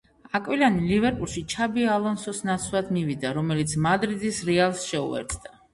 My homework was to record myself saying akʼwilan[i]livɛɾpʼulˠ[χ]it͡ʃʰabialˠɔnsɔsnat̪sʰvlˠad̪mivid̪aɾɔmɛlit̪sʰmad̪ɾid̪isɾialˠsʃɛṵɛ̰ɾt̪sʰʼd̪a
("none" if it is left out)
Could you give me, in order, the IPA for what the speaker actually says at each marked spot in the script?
i, ʃ

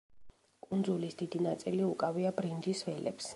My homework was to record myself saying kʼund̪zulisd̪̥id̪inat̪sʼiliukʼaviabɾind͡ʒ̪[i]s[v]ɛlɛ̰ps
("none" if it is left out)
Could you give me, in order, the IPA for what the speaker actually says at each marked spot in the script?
i, v

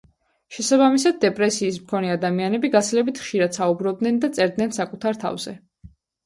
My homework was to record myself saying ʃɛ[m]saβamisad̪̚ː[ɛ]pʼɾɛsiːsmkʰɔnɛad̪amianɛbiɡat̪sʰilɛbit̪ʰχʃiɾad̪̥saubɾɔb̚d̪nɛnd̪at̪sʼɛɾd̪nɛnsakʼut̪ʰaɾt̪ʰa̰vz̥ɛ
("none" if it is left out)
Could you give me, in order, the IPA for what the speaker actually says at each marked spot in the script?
none, ɛ

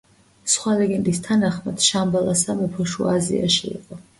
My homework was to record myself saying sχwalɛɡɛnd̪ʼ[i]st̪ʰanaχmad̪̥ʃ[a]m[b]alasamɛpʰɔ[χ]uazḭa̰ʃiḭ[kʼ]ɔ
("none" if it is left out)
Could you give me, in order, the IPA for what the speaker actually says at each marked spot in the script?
i, a, b, ʃ, qʼ

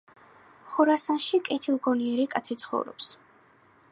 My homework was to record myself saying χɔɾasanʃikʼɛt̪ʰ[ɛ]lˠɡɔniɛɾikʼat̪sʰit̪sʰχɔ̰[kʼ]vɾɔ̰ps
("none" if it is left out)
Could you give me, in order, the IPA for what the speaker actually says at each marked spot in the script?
i, none

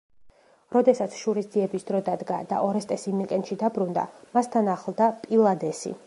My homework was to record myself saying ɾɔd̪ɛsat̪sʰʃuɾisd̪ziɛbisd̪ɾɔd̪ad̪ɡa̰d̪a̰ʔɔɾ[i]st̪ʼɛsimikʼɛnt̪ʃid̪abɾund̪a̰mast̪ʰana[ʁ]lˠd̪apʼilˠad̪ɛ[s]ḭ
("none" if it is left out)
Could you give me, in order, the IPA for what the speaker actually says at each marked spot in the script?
ɛ, χ, s

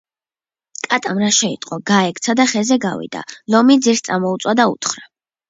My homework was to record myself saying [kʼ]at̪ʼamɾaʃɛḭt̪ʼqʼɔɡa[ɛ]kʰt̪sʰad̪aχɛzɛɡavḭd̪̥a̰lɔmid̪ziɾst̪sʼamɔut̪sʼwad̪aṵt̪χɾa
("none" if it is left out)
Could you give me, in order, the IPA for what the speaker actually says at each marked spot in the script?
kʼ, ɛ

